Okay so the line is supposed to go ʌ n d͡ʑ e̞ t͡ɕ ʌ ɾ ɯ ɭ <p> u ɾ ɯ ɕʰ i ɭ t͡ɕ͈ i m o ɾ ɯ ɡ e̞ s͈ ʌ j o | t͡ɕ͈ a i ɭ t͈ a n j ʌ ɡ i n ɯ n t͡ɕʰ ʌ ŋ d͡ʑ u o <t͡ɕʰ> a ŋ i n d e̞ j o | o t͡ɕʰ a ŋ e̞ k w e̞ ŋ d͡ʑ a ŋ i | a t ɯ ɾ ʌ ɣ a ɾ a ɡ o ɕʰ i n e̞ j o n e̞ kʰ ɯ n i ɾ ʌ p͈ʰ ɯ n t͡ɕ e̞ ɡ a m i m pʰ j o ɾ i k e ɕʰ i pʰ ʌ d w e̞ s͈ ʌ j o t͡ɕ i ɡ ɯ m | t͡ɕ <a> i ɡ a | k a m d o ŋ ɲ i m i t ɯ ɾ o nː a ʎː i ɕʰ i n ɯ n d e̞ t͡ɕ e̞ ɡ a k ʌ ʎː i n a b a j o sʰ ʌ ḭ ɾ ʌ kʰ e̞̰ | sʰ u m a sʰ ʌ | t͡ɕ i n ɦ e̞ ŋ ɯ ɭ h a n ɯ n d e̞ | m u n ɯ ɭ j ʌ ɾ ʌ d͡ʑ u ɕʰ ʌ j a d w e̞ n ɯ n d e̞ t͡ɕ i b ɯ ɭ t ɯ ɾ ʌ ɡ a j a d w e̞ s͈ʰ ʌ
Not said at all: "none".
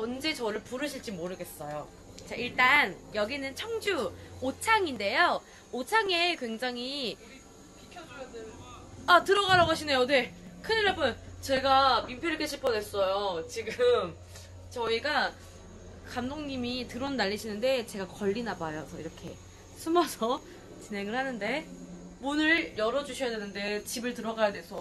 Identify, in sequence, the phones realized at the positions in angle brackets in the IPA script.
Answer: p, t͡ɕʰ, ʌ

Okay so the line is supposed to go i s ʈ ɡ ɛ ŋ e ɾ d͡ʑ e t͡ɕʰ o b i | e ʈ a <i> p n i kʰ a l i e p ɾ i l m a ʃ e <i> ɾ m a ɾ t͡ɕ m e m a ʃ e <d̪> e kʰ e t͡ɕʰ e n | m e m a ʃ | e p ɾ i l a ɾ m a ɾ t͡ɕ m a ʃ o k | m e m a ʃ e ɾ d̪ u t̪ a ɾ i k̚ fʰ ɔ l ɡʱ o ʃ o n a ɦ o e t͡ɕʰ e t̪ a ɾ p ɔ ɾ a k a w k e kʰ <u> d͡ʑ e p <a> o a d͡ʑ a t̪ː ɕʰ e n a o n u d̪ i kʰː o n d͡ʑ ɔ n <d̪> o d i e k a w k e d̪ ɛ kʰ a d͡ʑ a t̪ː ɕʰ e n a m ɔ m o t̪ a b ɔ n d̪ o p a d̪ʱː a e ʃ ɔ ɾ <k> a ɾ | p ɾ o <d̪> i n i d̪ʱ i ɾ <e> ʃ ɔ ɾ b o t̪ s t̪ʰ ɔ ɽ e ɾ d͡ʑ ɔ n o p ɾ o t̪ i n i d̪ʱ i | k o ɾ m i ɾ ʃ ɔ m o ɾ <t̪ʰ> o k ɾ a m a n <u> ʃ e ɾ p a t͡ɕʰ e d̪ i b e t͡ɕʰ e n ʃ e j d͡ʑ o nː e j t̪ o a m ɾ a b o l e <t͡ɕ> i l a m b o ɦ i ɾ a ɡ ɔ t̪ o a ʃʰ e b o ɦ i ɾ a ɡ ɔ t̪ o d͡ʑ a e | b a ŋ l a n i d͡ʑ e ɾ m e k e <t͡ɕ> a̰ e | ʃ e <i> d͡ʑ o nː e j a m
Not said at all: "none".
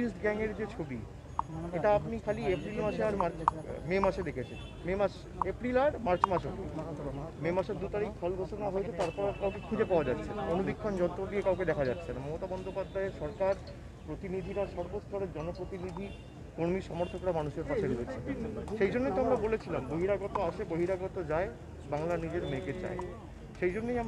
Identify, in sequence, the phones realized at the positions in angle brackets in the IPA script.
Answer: a, a, d̪, u, a, t̪, k, t̪, a, t̪ʰ, u, t͡ɕʰ, t͡ɕ, j

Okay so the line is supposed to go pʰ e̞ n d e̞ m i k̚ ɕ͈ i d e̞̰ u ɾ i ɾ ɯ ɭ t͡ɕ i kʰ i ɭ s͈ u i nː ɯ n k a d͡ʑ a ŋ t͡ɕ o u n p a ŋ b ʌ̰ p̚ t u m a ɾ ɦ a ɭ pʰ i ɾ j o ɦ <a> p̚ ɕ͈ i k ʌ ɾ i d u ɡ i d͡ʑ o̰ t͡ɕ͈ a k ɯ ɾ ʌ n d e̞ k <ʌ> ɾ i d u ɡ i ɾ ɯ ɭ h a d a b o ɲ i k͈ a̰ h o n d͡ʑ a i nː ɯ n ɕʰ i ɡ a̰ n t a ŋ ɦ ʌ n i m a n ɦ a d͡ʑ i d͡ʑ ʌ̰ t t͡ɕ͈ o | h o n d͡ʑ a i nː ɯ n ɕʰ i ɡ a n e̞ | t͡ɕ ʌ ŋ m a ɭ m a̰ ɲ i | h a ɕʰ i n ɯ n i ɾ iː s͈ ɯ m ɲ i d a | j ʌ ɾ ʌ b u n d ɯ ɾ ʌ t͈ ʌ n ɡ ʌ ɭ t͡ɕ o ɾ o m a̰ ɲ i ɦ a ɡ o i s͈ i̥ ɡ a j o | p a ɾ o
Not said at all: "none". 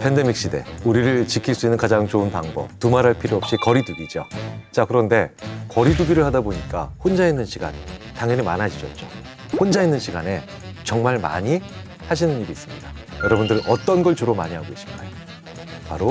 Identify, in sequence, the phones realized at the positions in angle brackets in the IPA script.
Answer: ʌ, ʌ

